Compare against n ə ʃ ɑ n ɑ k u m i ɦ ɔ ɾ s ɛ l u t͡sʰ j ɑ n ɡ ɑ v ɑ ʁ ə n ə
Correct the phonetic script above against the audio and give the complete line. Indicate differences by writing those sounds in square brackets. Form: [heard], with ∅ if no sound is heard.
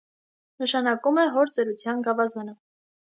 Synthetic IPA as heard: n ə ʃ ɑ n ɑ k u m [ɛ] ɦ ɔ ɾ [t͡s] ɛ [ɾ] u t͡sʰ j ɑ n ɡ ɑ v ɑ [z] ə n ə